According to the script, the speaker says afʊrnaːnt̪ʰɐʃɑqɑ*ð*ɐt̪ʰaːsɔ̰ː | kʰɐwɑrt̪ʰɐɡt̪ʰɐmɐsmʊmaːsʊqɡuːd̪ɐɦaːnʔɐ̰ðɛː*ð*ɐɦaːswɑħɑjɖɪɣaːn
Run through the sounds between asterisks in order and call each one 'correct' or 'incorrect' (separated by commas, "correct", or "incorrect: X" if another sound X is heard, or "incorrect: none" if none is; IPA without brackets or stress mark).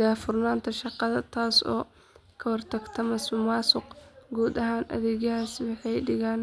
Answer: correct, incorrect: ɣ